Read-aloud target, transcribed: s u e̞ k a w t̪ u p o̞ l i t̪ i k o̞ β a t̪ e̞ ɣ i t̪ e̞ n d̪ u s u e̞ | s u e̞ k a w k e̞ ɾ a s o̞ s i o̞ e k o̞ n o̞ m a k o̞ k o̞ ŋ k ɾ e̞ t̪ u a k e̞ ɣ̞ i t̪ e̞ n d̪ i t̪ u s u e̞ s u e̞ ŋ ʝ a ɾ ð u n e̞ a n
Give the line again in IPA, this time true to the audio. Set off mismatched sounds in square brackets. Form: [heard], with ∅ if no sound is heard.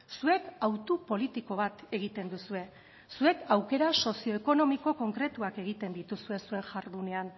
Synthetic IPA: s u e̞ k a w t̪ u p o̞ l i t̪ i k o̞ β a t̪ e̞ ɣ i t̪ e̞ n d̪ u s u e̞ | s u e̞ k a w k e̞ ɾ a s o̞ s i o̞ e k o̞ n o̞ m [i] k o̞ k o̞ ŋ k ɾ e̞ t̪ u a k e̞ ɣ̞ i t̪ e̞ n d̪ i t̪ u s u e̞ s u e̞ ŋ ʝ a ɾ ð u n e̞ a n